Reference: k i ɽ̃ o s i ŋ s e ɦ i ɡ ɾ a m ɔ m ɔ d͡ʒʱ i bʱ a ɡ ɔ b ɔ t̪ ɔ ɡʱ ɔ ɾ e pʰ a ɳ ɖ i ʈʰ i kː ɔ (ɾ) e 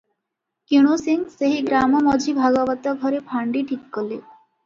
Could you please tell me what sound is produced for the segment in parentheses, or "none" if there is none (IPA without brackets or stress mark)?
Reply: l